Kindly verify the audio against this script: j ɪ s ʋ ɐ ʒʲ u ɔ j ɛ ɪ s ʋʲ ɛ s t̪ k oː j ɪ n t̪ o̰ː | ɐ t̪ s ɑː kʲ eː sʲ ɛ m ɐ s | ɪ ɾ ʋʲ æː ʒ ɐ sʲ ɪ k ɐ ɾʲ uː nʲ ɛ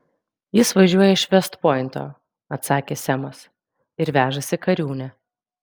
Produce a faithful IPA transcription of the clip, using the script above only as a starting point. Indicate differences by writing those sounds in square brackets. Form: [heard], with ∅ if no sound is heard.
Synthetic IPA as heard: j ɪ s ʋ ɐ ʒʲ u ɔ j ɛ ɪ [ʃ] ʋʲ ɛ s t̪ [p] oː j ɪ n t̪ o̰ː | ɐ t̪ s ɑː kʲ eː sʲ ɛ m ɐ s | ɪ ɾ ʋʲ æː ʒ ɐ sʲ ɪ k ɐ ɾʲ uː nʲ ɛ